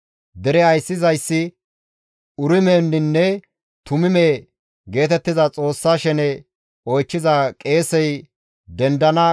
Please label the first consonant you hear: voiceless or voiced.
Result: voiced